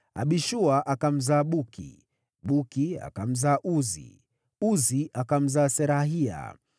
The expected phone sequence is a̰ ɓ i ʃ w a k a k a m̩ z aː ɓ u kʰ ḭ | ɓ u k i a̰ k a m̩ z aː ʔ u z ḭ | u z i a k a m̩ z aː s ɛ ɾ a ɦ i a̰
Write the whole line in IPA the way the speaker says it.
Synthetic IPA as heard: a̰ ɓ i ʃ u a ʔ a k a m̩ z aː ɓ u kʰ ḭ | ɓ u k i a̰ k a m̩ z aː ʔ u z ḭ | u z i a k a m̩ z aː s ɛ ɾ a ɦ i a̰